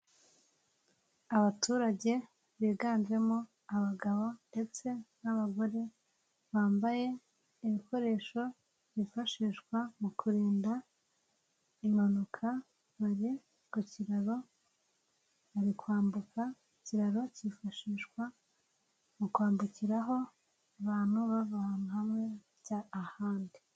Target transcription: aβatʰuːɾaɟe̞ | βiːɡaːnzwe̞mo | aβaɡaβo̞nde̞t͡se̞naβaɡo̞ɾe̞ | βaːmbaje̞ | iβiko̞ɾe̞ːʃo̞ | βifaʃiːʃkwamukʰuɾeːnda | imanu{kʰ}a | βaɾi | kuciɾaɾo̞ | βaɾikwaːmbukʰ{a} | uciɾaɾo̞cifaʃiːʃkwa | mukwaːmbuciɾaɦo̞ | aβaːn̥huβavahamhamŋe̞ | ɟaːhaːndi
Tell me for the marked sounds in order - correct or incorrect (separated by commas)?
correct, correct